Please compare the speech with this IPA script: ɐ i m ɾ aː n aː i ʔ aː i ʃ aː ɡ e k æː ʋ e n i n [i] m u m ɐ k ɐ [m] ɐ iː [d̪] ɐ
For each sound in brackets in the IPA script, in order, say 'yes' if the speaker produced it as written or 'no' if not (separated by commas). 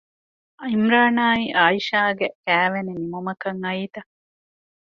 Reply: yes, no, no